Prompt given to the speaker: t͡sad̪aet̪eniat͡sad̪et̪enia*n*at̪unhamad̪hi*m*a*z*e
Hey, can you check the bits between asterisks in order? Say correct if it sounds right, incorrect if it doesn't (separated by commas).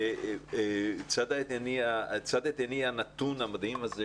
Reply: correct, correct, correct